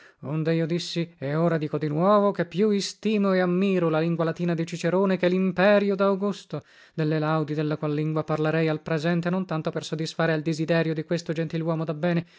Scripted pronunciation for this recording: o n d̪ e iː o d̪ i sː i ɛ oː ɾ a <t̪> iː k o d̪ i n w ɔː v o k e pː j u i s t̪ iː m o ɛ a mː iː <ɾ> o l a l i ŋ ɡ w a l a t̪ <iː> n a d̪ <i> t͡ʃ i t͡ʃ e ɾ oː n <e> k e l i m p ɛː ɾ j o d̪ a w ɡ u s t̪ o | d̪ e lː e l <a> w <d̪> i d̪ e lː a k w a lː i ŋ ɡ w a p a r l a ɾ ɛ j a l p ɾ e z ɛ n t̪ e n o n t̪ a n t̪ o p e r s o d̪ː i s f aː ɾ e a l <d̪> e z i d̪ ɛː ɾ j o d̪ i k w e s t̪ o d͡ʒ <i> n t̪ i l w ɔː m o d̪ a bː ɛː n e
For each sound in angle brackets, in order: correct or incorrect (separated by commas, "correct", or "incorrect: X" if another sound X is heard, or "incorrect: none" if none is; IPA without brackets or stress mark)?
incorrect: d̪, correct, correct, correct, correct, correct, correct, correct, incorrect: e